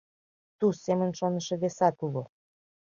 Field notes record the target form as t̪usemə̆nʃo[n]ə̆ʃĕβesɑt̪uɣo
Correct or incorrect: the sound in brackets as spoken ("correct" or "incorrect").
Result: correct